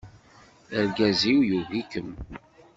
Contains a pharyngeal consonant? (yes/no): no